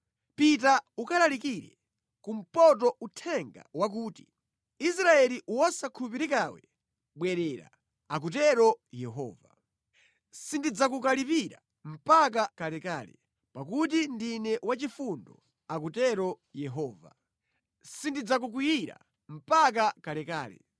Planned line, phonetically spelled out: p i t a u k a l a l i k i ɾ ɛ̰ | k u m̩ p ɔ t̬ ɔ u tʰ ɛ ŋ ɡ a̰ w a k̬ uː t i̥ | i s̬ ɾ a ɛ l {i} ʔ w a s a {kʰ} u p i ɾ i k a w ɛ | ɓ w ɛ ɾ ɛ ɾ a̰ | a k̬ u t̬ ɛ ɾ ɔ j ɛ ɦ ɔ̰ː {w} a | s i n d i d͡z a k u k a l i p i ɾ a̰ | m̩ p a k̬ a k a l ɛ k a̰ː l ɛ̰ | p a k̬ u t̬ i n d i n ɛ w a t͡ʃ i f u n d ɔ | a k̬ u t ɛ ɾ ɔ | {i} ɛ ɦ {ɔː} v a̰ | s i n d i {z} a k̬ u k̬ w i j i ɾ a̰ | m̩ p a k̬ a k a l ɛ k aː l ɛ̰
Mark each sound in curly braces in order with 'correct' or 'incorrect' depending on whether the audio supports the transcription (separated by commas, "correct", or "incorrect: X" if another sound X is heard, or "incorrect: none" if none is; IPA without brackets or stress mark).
correct, correct, incorrect: v, incorrect: j, correct, incorrect: d͡z